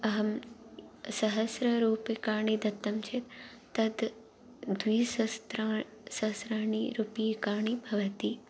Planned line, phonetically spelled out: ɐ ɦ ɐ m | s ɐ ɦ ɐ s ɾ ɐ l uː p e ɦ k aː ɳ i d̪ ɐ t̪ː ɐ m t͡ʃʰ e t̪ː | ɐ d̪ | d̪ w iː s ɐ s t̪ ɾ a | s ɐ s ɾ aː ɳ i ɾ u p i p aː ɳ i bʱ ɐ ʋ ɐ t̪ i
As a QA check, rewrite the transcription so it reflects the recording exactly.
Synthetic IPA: ɐ ɦ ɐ m | s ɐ ɦ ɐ s ɾ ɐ ɾ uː p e k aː ɳ i d̪ ɐ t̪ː ɐ m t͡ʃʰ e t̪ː | ɐ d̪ | d̪ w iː s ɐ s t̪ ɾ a | s ɐ s ɾ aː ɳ i ɾ u p i k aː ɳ i bʱ ɐ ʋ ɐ t̪ i